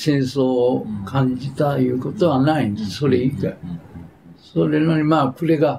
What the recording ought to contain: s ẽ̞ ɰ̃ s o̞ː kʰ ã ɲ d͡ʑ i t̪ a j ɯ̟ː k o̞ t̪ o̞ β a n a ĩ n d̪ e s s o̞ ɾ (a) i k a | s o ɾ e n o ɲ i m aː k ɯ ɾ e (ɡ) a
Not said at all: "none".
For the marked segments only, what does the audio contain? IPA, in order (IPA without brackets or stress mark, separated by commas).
e, ɡ